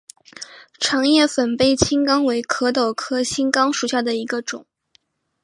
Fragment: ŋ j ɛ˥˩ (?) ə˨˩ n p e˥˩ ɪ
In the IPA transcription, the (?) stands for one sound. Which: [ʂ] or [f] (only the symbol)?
f